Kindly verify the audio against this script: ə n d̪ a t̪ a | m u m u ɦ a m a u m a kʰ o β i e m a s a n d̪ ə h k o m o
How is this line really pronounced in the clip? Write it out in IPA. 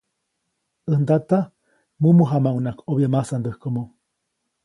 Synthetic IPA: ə n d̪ a t̪ a | m u m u ɦ a m a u n a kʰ o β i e m a s a n d̪ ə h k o m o